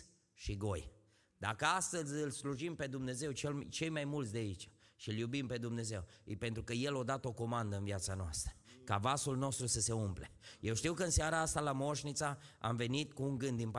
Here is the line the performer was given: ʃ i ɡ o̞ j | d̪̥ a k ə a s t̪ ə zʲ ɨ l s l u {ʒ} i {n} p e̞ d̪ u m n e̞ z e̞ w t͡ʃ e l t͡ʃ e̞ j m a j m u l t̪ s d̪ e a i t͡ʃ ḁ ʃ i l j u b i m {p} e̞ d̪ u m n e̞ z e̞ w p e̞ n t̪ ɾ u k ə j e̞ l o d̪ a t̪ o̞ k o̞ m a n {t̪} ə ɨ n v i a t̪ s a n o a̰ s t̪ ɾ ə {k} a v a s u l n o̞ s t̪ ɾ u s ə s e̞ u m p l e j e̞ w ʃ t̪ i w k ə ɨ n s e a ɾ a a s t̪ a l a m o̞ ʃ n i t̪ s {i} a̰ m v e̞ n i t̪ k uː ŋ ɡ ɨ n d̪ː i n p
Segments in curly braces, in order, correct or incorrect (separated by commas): correct, incorrect, correct, incorrect, correct, incorrect